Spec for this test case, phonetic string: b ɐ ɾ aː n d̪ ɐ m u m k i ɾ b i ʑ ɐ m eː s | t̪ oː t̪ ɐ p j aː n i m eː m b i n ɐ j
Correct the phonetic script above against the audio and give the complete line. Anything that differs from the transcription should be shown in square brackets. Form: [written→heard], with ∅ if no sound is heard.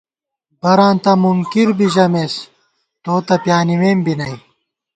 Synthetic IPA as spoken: b ɐ ɾ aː n [d̪→t̪] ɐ m u [m→ŋ] k i ɾ b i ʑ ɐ m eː s | t̪ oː t̪ ɐ p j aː n i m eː m b i n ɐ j